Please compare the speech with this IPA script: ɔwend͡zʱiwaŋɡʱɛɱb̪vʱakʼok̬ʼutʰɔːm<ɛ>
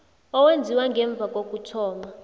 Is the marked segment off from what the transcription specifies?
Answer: yes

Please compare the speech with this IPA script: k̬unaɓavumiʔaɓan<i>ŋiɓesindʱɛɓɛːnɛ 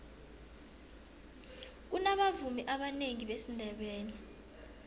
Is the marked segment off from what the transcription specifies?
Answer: yes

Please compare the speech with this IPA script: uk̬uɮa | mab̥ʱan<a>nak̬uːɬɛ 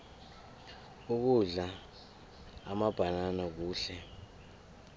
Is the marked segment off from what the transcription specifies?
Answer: no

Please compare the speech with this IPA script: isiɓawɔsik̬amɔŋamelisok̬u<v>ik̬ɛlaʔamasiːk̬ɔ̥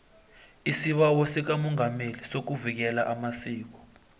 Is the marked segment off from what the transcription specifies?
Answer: no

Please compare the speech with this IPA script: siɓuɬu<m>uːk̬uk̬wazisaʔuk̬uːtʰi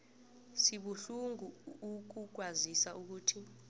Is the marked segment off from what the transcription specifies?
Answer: yes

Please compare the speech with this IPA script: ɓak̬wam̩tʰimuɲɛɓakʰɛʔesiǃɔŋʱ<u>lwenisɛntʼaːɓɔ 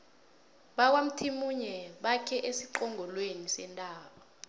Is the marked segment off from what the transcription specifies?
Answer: yes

